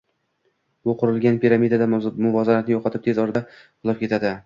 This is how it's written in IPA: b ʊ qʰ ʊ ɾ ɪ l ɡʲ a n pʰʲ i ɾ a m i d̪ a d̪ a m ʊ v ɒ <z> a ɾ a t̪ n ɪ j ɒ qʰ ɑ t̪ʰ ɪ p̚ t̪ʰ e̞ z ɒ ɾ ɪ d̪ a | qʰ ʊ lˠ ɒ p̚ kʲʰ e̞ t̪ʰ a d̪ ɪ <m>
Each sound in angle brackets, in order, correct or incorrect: correct, incorrect: none

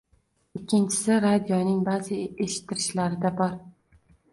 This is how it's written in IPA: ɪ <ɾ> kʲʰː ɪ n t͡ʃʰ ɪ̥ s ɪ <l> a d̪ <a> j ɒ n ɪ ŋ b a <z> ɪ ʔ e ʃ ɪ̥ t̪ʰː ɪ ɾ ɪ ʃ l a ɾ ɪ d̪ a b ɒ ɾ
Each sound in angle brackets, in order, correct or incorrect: incorrect: none, incorrect: ɾ, incorrect: i, correct

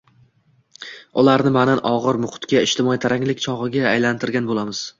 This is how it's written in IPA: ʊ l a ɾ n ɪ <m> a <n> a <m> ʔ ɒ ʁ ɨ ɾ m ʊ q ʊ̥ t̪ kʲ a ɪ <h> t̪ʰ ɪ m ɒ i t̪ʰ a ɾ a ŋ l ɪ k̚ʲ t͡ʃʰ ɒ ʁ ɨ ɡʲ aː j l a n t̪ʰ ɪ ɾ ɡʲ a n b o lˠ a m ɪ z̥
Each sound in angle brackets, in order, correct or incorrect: correct, correct, incorrect: n, incorrect: ʃ

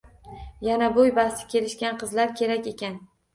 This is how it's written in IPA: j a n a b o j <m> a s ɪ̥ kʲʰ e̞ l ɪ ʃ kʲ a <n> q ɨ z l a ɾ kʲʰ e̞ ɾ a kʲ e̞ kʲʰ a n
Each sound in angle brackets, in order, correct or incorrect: incorrect: b, correct

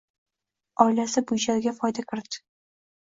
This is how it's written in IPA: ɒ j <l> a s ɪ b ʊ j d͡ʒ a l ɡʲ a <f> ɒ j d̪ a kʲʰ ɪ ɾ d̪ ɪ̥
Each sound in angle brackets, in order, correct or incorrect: correct, correct

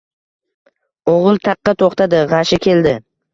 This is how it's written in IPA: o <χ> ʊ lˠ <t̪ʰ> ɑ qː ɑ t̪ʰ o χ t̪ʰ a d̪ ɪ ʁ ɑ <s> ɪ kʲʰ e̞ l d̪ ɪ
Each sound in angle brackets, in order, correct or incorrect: incorrect: ʁ, correct, incorrect: ʃ

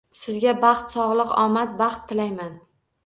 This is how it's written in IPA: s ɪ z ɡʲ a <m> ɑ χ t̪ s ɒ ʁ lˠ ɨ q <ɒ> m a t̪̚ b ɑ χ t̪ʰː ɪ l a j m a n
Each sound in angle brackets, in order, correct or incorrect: incorrect: b, correct

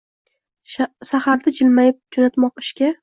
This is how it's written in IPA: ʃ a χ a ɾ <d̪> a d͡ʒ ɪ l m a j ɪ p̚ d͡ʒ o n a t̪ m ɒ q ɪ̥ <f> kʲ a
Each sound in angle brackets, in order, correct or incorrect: correct, incorrect: ʃ

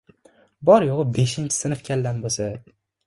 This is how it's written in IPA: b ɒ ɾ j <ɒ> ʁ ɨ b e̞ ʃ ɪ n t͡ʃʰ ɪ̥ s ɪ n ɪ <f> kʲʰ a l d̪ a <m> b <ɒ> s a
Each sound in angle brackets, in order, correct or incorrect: incorrect: o, correct, incorrect: n, incorrect: o

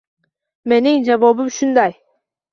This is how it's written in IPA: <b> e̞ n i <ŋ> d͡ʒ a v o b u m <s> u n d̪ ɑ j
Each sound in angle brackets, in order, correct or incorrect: incorrect: m, correct, incorrect: ʃ

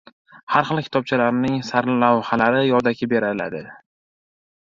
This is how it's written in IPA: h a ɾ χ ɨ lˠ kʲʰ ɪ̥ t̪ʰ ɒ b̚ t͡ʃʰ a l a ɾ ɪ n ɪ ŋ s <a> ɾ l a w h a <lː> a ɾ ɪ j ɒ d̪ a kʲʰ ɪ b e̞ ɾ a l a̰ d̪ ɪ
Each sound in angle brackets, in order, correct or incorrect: correct, incorrect: l

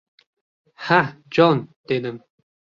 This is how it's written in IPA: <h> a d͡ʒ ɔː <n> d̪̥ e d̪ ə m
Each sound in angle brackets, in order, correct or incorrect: correct, correct

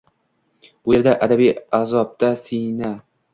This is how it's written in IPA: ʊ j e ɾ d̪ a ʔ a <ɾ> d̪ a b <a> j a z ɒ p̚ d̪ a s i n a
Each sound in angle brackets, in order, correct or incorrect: incorrect: none, incorrect: i

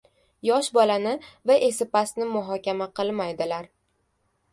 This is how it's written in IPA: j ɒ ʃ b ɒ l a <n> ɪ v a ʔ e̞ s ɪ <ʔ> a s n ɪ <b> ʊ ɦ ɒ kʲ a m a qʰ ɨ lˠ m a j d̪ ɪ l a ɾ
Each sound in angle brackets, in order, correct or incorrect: correct, incorrect: p, incorrect: m

